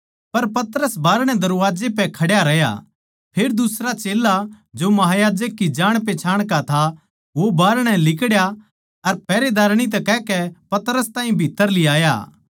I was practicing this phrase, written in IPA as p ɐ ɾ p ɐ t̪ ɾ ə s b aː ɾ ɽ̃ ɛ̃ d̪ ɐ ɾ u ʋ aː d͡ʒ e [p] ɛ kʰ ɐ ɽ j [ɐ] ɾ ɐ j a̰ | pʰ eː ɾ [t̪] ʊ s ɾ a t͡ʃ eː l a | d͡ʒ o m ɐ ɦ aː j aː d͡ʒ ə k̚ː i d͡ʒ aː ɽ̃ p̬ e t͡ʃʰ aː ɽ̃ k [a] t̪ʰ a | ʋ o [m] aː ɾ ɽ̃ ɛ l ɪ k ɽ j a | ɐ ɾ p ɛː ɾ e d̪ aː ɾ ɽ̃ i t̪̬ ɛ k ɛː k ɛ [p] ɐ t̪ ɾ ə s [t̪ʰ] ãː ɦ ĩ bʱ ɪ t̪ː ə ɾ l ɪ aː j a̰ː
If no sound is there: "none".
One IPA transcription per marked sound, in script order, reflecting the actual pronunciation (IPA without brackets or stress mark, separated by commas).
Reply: p, a, d̪, a, b, p, t̪